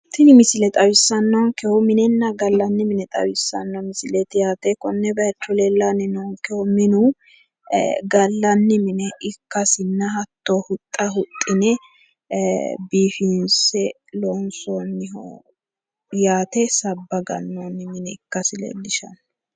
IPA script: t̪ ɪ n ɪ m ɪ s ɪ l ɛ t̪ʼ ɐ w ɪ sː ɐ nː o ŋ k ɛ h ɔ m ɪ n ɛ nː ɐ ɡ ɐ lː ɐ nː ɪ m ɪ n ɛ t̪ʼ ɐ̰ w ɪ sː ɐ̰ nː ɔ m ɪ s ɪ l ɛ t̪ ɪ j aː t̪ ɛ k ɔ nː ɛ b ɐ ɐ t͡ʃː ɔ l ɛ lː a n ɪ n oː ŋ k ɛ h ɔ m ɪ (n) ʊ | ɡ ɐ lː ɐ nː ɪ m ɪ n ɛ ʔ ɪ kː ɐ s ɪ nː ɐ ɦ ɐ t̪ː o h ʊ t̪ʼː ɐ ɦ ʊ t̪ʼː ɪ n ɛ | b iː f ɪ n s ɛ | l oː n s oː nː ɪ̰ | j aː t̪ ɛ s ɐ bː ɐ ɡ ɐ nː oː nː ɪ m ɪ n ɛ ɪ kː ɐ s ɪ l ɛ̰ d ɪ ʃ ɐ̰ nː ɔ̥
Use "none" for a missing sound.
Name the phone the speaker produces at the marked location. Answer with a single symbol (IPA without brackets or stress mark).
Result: n